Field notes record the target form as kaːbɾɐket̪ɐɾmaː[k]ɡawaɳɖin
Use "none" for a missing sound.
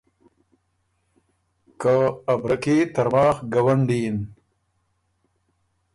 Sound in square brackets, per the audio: x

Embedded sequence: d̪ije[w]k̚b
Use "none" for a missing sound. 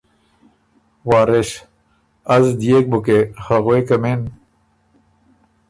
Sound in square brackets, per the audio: none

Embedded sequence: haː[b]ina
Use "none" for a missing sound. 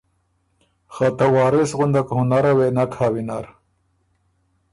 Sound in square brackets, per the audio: w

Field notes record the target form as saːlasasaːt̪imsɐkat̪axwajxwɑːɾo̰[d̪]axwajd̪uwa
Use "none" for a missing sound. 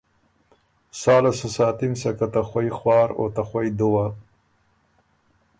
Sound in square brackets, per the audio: t̪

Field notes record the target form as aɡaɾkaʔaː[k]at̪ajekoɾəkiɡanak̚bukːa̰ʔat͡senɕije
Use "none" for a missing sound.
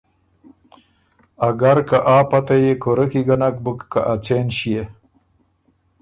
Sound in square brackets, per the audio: p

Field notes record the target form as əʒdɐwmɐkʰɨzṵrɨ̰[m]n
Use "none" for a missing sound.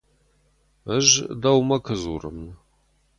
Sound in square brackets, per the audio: m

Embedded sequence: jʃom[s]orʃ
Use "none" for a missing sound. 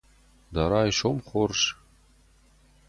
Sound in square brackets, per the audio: χ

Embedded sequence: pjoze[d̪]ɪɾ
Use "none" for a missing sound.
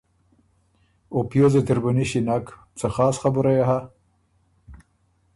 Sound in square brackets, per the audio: t̪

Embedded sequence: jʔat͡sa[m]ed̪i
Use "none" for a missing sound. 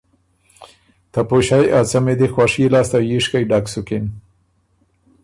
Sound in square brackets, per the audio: m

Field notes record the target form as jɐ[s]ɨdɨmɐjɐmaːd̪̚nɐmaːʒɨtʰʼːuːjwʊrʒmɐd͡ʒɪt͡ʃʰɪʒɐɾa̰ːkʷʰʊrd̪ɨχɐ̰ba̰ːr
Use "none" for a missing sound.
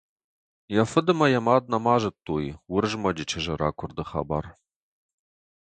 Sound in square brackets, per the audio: f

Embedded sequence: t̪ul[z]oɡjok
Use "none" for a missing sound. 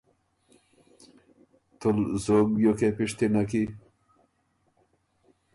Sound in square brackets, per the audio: z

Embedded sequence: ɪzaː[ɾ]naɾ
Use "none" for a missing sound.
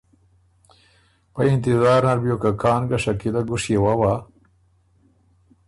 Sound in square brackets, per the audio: ɾ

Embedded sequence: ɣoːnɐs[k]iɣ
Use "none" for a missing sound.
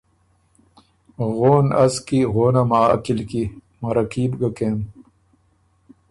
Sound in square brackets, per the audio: k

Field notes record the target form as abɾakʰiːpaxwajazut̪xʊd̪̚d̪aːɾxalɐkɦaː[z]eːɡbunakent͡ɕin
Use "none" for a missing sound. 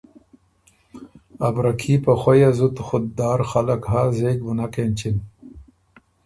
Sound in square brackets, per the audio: z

